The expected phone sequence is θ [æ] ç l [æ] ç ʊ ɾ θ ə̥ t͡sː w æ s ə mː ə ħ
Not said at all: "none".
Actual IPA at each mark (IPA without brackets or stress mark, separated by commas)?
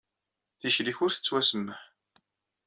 i, i